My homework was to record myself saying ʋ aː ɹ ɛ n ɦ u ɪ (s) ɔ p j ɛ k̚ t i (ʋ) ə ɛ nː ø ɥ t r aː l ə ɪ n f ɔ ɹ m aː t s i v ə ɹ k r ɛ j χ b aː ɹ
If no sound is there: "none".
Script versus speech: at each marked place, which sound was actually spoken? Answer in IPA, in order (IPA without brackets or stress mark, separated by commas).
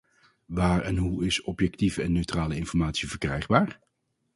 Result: s, v